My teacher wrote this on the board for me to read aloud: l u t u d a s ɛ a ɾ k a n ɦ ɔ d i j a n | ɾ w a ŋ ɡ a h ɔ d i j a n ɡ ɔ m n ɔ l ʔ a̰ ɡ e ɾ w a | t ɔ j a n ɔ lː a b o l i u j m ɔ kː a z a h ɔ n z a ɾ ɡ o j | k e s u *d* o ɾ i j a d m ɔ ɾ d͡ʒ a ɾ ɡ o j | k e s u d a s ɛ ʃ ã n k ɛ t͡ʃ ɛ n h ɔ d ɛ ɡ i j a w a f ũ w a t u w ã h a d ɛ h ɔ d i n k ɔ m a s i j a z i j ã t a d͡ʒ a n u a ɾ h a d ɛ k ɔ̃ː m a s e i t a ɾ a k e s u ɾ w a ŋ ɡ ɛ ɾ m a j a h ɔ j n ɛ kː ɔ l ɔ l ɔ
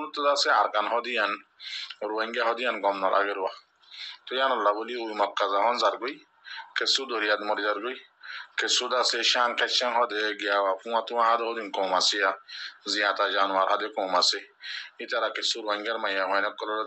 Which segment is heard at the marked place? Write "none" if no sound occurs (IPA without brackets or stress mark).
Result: d